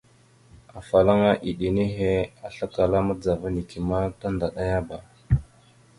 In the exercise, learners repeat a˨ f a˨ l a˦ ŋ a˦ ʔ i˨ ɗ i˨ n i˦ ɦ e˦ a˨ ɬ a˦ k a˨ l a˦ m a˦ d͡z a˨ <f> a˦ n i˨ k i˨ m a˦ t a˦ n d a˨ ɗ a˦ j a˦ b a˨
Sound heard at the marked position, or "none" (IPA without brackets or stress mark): v